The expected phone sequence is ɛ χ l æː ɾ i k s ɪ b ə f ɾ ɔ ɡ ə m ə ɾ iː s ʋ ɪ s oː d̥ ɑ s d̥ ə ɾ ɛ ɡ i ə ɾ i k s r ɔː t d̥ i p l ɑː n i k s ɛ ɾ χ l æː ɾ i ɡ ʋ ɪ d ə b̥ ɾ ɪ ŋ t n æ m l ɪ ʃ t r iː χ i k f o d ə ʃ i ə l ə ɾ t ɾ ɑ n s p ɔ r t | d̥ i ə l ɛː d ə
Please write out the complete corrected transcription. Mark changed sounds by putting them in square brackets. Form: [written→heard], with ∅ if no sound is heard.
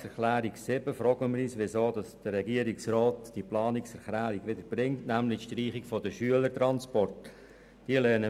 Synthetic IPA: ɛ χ l æː ɾ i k s ɪ b ə f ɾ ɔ ɡ ə m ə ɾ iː s ʋ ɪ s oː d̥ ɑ s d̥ ə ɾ ɛ ɡ i ə ɾ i k s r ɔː t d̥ i p l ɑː n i k s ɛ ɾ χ l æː ɾ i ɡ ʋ ɪ d ə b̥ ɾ ɪ ŋ t n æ m l ɪ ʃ t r iː χ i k f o d ə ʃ [i→y] ə l ə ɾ t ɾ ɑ n s p ɔ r t | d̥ i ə l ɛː [d→n] ə